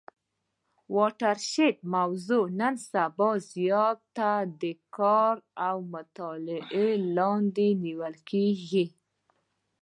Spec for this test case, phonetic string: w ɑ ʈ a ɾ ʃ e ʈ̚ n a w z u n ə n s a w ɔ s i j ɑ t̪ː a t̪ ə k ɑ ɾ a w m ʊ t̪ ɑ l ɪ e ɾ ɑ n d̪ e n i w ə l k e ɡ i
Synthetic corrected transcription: w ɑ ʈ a ɾ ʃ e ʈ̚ m a w z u n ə n s a b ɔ z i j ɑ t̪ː a d̪ ə k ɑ ɾ a w m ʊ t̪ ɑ l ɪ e l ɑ n d̪ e n i w ə l k e ɡ i